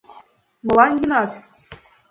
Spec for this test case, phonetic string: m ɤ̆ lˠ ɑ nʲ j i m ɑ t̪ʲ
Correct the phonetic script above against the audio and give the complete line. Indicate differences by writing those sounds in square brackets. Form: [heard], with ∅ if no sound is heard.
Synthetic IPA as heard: m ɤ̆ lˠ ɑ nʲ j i [n] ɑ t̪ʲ